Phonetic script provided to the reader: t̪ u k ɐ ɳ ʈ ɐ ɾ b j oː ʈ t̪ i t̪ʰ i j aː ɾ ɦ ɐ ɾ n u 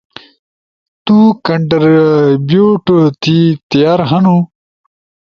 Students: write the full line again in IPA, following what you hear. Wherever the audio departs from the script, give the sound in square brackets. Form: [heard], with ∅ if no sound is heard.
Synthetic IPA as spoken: t̪ u k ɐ ɳ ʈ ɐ ɾ b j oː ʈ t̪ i [t̪] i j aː ɾ ɦ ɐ [∅] n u